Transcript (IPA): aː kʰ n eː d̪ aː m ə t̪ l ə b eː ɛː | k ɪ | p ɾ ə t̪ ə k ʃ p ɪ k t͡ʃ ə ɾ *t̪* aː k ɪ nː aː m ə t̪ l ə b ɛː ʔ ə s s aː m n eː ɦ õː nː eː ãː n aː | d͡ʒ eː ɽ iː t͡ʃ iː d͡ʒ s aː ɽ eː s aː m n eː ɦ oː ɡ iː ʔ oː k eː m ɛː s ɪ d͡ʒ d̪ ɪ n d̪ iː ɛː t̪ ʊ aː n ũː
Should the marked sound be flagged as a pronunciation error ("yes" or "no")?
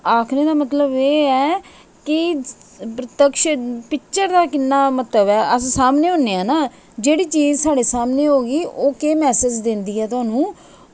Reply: yes